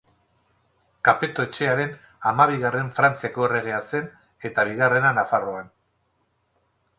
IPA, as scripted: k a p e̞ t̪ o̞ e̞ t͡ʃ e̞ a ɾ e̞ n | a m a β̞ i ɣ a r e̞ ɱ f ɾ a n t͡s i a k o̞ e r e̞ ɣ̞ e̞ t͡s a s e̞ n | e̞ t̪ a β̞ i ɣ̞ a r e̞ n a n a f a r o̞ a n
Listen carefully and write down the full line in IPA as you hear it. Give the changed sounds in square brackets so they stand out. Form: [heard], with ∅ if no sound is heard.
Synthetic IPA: k a p e̞ t̪ o̞ e̞ t͡ʃ e̞ a ɾ e̞ n | a m a β̞ i ɣ a r e̞ ɱ f ɾ a n t͡s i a k o̞ e r e̞ ɣ̞ e̞ [∅] a s e̞ n | e̞ t̪ a β̞ i ɣ̞ a r e̞ n a n a f a r o̞ a n